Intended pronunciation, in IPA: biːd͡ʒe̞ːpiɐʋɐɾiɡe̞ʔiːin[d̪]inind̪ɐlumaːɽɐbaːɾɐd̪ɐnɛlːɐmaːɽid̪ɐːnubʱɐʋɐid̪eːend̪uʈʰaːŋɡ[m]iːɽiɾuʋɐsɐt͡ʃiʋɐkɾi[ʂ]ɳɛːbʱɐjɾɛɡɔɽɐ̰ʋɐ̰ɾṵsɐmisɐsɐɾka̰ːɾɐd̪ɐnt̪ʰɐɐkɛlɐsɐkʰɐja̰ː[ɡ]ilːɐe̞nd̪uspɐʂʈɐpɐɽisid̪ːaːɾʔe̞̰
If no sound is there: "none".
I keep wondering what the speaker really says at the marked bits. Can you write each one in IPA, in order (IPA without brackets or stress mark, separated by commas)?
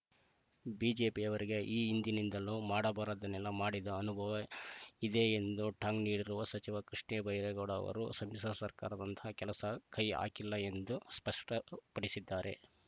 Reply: d̪, n, ʂ, k